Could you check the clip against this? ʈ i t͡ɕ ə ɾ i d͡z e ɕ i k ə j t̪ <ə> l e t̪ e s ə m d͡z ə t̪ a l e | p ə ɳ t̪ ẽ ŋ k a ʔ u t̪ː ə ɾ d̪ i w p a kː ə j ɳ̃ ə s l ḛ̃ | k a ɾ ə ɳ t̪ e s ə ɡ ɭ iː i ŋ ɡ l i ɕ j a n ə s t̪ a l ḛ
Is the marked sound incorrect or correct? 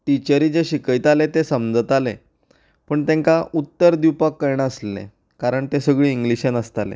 incorrect